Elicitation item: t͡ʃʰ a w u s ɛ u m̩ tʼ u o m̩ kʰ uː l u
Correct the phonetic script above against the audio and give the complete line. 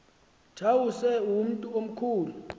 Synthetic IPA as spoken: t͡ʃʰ a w u s ɛ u m̩ tʼ u o m̩ kʰ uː l u